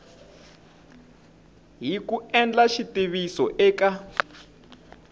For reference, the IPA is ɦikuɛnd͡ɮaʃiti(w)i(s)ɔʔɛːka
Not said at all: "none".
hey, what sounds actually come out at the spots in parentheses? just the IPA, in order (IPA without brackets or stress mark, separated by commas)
β, s